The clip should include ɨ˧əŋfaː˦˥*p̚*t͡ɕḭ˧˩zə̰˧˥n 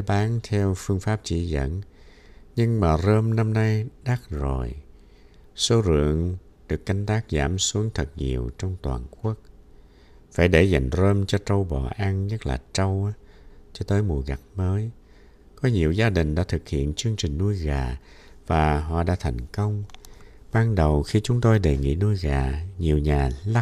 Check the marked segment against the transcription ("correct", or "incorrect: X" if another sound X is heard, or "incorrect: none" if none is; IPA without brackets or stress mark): correct